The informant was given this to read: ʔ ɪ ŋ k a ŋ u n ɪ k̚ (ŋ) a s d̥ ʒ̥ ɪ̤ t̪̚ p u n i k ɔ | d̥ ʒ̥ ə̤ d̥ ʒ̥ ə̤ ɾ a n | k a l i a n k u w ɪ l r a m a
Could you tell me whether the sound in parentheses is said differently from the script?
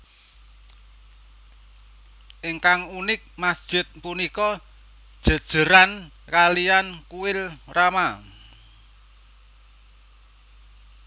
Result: yes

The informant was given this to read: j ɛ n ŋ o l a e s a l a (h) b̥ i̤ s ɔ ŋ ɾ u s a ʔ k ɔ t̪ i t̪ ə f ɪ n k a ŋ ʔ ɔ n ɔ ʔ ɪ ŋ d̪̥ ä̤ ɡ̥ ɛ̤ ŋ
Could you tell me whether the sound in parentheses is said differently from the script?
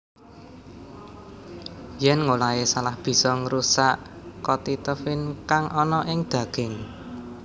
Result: no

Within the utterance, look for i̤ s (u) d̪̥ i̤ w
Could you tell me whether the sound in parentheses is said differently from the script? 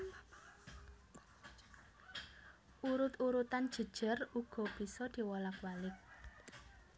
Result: yes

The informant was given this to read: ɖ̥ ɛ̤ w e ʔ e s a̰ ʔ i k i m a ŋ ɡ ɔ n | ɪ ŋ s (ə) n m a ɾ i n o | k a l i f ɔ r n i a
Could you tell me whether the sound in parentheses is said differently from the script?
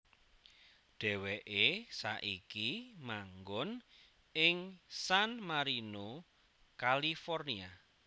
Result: yes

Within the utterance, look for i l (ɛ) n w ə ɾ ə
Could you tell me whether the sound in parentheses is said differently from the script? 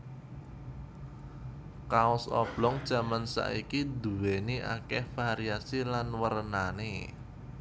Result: yes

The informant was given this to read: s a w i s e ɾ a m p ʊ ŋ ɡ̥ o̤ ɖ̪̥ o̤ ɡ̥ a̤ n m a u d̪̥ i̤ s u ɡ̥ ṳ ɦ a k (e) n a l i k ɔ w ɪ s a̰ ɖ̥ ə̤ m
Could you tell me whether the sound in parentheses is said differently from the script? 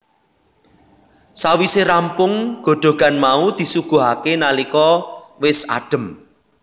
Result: no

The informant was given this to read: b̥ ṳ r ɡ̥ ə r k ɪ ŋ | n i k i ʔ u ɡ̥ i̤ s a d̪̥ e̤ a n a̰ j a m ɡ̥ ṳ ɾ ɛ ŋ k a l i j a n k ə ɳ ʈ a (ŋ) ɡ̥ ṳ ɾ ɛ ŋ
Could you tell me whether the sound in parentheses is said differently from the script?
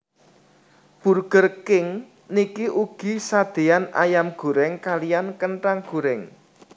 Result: no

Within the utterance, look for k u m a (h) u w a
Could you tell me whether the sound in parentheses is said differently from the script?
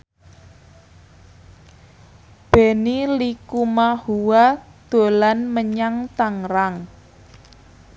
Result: no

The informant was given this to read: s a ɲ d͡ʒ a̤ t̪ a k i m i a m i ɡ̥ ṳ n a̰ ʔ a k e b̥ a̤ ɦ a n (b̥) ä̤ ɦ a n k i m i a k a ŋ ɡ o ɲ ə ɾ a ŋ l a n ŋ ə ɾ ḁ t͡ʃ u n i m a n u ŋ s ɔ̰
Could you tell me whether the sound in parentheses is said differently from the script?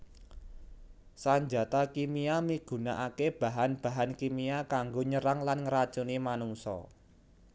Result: no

